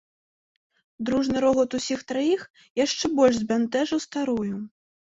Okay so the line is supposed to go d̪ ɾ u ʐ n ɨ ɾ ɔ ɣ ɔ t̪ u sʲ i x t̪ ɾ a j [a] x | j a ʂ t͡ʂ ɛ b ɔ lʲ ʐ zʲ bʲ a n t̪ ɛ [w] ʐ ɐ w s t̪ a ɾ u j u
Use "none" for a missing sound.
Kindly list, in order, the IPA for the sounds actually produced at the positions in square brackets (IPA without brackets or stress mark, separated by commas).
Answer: i, none